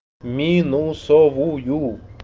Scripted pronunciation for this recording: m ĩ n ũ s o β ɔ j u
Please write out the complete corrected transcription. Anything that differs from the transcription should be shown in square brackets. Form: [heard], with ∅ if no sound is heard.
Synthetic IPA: m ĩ n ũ s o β [u] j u